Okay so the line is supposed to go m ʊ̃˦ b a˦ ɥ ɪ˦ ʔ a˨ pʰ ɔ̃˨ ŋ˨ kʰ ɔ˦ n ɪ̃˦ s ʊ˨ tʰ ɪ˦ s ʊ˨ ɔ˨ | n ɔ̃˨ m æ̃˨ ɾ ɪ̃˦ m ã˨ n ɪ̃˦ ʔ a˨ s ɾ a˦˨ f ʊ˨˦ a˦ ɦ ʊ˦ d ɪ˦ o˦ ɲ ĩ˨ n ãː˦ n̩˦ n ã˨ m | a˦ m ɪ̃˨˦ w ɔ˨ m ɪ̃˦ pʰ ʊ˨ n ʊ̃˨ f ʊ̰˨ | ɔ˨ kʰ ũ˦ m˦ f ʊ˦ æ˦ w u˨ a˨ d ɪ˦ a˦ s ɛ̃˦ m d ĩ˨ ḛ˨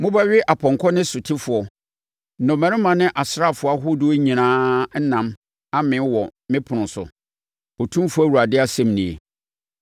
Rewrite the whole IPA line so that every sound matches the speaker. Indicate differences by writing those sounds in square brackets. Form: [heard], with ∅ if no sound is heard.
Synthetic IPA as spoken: m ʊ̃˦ b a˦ ɥ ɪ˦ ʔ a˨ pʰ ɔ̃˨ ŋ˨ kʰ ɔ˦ n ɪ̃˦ s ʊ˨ tʰ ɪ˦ [f] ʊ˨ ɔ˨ | n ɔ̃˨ m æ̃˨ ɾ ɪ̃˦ m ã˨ n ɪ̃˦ ʔ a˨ s ɾ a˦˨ f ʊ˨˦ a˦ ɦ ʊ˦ d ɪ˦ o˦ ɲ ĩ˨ n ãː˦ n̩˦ n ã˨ m | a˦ m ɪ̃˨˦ w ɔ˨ m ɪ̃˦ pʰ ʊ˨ n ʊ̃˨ [s] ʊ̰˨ | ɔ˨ [tʰ] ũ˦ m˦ f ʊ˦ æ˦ w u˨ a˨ d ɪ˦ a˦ s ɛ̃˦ m [n] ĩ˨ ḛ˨